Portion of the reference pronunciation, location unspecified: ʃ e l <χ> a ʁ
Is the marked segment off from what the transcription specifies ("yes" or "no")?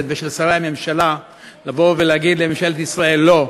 yes